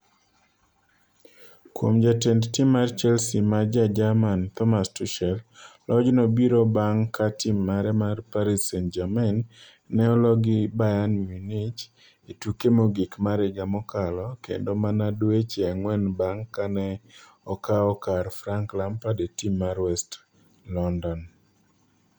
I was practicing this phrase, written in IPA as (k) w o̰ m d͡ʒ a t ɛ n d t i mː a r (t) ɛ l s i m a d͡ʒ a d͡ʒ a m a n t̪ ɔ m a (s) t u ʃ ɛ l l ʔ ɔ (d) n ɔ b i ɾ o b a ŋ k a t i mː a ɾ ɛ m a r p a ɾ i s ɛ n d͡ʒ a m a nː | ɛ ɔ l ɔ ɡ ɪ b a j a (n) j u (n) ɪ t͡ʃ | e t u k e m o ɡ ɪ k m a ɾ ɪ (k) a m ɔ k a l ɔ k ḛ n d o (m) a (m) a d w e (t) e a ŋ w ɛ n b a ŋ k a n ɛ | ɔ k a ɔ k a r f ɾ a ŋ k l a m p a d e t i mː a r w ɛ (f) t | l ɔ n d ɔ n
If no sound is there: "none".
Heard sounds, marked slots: k, t͡ʃ, s, d͡ʒ, n, n, ɡ, m, n, t͡ʃ, s

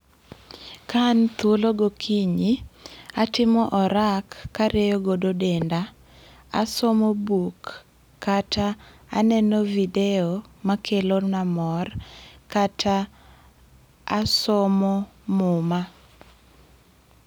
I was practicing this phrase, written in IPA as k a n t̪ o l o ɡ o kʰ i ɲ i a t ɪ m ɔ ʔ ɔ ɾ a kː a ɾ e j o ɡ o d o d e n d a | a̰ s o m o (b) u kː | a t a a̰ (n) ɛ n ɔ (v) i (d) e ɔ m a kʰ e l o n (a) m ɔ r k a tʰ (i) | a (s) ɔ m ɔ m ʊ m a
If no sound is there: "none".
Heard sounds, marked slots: b, n, v, d, a, a, s

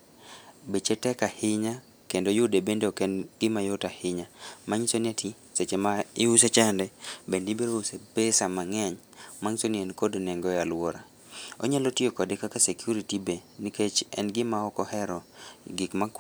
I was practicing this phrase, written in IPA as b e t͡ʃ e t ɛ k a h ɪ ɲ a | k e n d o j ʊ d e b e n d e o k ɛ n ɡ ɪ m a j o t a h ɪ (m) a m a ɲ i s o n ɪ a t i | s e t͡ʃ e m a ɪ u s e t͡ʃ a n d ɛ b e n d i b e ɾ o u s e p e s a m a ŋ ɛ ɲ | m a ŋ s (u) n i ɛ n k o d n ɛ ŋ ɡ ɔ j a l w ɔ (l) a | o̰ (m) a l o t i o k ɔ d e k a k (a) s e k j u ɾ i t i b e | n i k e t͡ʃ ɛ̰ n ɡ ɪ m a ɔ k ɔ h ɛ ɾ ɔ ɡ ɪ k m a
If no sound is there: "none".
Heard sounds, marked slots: ɲ, o, ɾ, ɲ, a

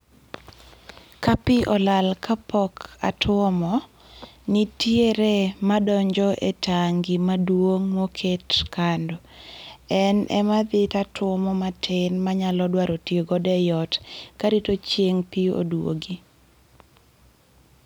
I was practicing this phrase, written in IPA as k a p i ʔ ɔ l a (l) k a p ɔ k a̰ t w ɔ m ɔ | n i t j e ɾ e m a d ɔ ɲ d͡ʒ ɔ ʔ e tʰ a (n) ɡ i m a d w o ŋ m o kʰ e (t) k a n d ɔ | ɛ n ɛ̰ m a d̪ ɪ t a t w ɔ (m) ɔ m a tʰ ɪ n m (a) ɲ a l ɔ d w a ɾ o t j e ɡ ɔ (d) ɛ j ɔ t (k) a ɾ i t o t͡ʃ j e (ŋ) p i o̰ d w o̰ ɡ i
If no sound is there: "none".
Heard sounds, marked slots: l, ŋ, t, m, a, d, k, ŋ

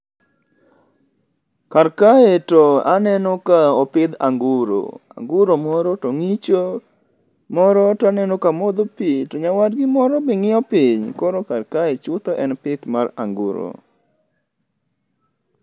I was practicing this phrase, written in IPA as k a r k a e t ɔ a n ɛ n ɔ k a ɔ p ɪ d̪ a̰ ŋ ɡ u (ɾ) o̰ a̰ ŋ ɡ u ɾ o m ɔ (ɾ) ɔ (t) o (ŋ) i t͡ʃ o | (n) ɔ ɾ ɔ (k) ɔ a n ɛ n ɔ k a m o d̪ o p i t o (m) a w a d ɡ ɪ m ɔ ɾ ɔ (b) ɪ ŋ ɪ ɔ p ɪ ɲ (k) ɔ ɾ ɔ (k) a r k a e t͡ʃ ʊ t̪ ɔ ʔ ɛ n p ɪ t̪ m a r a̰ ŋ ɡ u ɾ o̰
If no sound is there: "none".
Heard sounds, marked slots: ɾ, ɾ, t, ŋ, m, t, ɲ, b, k, k

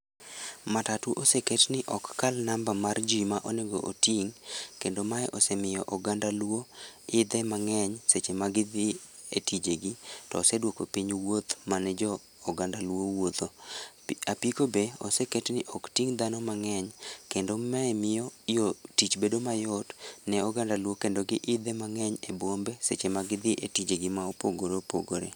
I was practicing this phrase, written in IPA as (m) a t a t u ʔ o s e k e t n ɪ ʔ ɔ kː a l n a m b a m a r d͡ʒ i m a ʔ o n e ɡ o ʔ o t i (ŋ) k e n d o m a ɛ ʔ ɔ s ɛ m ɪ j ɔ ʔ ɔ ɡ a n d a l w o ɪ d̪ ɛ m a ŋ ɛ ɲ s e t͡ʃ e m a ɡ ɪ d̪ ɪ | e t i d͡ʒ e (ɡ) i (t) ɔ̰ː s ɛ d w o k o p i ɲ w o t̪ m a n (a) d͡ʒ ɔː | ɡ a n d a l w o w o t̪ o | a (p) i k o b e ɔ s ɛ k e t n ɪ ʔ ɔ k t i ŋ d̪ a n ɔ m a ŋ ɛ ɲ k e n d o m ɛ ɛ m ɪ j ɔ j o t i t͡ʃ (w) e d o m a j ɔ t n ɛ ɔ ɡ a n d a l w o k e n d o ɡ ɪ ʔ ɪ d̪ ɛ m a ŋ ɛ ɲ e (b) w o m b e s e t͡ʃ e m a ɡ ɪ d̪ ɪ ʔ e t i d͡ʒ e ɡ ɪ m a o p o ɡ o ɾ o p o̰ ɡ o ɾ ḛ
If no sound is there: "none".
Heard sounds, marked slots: m, ŋ, ɡ, t, ɛ, p, b, b

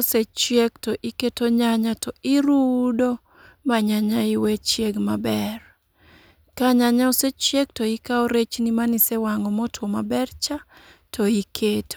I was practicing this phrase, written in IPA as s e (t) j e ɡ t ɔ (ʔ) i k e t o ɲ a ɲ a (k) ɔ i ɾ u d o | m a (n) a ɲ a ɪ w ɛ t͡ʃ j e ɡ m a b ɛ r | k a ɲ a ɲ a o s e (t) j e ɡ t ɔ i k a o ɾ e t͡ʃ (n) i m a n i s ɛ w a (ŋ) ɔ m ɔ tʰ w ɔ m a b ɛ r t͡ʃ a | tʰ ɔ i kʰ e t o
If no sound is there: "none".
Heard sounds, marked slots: t͡ʃ, ʔ, t, ɲ, t͡ʃ, n, ŋ

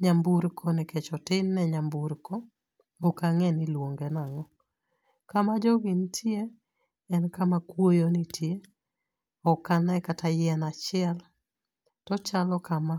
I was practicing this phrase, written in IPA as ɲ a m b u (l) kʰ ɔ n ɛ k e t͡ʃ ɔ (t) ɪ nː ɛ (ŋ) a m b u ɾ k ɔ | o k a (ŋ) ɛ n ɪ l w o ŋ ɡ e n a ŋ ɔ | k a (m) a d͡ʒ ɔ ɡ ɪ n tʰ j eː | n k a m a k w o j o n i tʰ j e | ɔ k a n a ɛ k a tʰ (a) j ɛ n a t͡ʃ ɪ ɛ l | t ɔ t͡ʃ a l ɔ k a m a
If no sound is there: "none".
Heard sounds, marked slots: ɾ, t, ɲ, ŋ, m, a

